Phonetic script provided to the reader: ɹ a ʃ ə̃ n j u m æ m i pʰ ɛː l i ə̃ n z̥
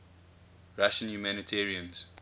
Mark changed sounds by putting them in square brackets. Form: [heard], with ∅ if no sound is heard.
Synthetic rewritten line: ɹ a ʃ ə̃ n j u m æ [n] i [tʰ] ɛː [ɹ] i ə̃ n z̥